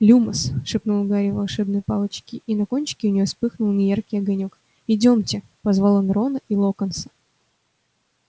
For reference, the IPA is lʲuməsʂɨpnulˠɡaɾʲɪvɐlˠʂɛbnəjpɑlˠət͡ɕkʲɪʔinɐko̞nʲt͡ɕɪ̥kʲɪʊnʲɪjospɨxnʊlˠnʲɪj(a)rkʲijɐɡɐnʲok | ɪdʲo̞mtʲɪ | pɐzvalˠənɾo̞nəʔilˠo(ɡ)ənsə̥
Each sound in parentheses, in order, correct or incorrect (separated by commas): correct, incorrect